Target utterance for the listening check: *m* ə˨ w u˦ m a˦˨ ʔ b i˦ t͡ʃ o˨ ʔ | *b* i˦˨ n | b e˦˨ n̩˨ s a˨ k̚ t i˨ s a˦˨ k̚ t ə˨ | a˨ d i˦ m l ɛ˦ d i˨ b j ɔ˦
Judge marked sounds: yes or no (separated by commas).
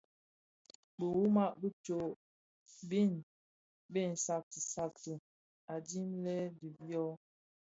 no, yes